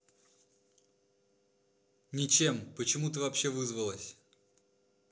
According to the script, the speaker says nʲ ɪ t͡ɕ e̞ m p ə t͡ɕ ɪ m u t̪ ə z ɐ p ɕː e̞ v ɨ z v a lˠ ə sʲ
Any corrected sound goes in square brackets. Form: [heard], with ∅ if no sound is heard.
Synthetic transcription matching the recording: nʲ ɪ t͡ɕ e̞ m p ə t͡ɕ ɪ m u t̪ ə [v] ɐ p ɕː e̞ v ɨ z v [ə] lˠ ə sʲ